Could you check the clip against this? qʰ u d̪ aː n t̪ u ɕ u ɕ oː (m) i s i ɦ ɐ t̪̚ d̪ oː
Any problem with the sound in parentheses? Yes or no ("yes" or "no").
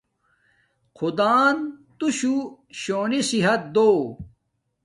yes